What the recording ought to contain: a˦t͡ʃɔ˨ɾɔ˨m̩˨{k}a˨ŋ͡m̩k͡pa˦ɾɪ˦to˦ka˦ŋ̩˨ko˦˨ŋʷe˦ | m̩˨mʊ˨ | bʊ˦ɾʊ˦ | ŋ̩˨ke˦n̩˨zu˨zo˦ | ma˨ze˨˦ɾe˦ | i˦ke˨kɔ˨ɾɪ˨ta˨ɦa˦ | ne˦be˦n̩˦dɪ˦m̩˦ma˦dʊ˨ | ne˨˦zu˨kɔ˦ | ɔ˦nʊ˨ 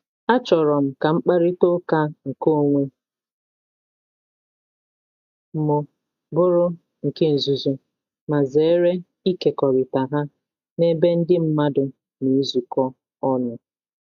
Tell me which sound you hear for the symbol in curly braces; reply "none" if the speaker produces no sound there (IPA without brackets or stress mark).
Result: k